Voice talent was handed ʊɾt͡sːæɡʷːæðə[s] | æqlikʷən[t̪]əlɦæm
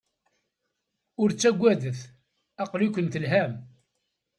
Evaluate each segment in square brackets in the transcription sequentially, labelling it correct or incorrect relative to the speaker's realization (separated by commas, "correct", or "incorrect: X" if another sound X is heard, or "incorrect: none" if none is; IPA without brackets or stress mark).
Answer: incorrect: θ, correct